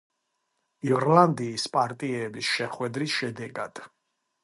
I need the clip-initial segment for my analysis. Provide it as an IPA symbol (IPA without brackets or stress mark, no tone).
i